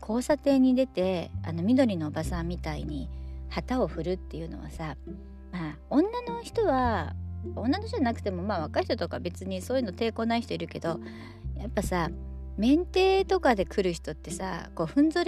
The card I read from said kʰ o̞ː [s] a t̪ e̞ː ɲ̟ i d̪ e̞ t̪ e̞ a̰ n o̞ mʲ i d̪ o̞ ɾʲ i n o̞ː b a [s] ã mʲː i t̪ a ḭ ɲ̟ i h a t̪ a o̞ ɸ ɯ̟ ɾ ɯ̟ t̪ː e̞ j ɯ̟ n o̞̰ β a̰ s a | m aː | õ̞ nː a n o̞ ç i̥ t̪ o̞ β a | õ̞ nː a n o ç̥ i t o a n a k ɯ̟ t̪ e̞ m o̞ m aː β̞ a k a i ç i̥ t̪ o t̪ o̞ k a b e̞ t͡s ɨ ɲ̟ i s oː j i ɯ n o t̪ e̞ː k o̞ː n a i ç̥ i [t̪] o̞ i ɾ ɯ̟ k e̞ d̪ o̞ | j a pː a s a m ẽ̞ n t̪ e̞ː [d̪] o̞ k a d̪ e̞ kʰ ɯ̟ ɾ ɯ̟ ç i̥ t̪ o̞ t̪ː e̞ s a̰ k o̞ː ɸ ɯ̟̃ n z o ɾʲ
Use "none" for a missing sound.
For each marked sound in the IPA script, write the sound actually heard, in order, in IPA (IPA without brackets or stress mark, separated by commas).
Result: s, s, t̪, t̪